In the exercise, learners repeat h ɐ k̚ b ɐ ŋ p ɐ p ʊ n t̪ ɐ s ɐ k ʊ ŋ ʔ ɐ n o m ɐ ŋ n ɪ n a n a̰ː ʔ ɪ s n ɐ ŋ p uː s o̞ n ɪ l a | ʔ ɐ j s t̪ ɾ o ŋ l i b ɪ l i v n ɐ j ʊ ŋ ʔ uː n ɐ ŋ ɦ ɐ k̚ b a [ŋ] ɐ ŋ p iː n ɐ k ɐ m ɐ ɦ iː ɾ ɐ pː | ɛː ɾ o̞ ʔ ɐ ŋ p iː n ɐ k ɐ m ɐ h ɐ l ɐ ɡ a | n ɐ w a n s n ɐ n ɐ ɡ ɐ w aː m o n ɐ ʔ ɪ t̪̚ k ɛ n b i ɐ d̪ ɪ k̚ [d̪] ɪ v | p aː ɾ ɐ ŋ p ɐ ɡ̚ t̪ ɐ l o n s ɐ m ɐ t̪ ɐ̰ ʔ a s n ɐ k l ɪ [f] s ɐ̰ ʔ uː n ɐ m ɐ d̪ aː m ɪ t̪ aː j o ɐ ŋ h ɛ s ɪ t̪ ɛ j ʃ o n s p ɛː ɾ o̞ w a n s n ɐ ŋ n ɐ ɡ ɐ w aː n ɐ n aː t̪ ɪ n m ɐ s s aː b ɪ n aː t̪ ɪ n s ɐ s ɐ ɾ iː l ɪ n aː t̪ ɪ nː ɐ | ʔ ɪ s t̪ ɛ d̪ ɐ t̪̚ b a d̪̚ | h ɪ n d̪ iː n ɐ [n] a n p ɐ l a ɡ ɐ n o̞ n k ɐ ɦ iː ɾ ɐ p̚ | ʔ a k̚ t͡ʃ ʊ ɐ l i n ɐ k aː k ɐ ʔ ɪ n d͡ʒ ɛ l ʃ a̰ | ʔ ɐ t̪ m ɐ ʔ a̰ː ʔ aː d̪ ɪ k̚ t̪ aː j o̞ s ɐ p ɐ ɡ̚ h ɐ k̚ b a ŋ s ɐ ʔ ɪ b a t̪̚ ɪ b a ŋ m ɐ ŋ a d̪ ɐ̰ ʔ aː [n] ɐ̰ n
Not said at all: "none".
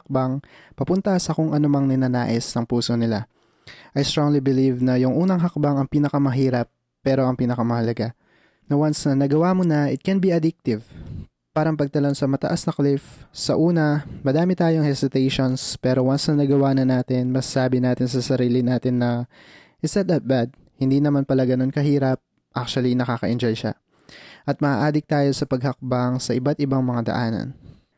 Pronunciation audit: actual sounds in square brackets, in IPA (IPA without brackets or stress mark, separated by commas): ŋ, t̪, f, m, n